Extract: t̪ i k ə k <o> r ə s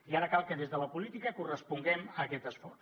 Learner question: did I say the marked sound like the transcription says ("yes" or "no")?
no